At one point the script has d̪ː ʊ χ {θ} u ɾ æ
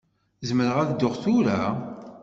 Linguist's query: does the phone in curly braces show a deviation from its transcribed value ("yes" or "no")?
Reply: no